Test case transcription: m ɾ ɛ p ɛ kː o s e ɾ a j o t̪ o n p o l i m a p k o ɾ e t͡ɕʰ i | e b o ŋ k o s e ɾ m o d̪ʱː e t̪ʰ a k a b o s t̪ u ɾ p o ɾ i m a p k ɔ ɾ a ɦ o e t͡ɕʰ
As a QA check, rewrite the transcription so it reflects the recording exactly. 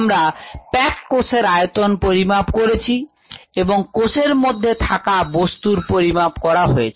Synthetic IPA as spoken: m ɾ a p ɛ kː o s e ɾ a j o t̪ o n p o ɾ i m a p k o ɾ e t͡ɕʰ i | e b o ŋ k o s e ɾ m o d̪ʱː e t̪ʰ a k a b o s t̪ u ɾ p o ɾ i m a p k ɔ ɾ a ɦ o e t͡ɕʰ